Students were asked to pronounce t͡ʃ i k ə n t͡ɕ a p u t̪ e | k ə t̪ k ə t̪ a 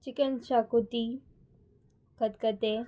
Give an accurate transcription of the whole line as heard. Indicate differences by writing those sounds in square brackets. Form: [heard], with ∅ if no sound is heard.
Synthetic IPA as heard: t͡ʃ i k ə n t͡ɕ a [k] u t̪ [i] | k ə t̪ k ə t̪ [e]